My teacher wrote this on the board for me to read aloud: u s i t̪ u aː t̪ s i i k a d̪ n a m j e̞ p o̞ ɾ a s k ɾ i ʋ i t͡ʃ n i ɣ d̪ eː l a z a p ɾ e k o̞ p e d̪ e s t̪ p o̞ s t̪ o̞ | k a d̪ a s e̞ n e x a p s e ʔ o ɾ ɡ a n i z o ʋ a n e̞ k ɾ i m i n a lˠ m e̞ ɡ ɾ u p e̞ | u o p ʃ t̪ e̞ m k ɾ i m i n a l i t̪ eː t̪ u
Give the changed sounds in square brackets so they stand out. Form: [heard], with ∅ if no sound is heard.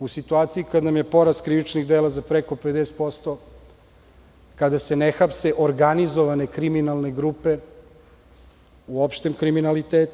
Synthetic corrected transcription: u s i t̪ u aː t̪ s i i k a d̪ n a m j e̞ p o̞ ɾ a s k ɾ i ʋ i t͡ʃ n i ɣ d̪ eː l a z a p ɾ e k o̞ p e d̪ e s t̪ p o̞ s t̪ o̞ | k a d̪ a s e̞ n e x a p s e ʔ o ɾ ɡ a n i z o ʋ a n e̞ k ɾ i m i n a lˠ [n] e̞ ɡ ɾ u p e̞ | u o p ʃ t̪ e̞ m k ɾ i m i n a l i t̪ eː t̪ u